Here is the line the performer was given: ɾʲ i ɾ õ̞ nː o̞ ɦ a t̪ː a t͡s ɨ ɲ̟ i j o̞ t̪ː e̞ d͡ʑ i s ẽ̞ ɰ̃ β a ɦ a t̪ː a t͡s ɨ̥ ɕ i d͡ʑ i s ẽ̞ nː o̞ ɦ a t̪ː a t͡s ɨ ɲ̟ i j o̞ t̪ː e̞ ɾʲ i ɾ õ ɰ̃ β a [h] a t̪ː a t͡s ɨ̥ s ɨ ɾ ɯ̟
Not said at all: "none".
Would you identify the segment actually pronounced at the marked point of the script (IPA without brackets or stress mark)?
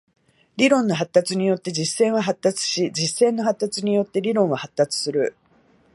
h